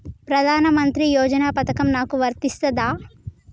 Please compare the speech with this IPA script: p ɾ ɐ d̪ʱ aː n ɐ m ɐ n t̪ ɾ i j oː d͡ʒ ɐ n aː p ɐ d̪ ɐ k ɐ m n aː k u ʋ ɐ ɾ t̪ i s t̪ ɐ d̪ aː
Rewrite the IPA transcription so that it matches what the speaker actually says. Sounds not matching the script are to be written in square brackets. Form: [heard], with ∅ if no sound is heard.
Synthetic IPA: p ɾ ɐ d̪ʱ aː n ɐ m ɐ n t̪ ɾ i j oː d͡ʒ ɐ n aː p ɐ [t̪] ɐ k ɐ m n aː k u ʋ ɐ ɾ t̪ i s t̪ ɐ d̪ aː

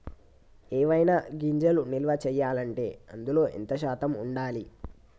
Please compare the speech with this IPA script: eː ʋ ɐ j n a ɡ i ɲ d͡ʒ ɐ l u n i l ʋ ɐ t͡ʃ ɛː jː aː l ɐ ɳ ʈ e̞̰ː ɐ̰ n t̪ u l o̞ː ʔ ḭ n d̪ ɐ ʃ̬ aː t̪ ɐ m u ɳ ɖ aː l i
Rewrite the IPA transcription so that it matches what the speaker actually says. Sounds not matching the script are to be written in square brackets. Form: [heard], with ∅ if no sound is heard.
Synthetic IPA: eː ʋ ɐ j n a ɡ i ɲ d͡ʒ ɐ l u n i l ʋ ɐ t͡ʃ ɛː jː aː l ɐ ɳ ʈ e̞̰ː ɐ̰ n [d̪] u l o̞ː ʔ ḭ n [t̪] ɐ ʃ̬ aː t̪ ɐ m u ɳ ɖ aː l i

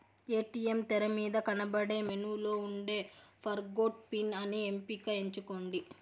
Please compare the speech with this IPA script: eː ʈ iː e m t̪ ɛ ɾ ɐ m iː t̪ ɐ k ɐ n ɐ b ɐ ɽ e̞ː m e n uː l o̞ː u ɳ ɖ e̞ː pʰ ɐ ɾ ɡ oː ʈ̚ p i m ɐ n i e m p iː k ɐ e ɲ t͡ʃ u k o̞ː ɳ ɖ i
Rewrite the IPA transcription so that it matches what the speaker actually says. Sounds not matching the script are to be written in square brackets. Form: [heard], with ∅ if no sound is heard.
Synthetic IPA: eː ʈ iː e m t̪ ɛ ɾ ɐ m iː [d̪] ɐ k ɐ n ɐ b ɐ ɽ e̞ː m e n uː l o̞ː u ɳ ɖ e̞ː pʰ ɐ ɾ ɡ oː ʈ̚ p i [n] ɐ n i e m p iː k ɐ e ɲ t͡ʃ u k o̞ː ɳ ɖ i

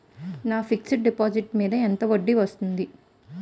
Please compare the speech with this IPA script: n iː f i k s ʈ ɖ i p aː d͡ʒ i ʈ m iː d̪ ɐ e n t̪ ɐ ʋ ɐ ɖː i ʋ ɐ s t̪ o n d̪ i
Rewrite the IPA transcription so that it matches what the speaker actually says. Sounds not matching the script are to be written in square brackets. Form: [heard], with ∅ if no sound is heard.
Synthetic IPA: n [aː] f i k s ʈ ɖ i p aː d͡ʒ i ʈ m iː d̪ ɐ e n t̪ ɐ ʋ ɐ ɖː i ʋ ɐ s t̪ [u] n d̪ i

